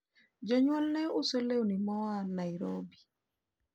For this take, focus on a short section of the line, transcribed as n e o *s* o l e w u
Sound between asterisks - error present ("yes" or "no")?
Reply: no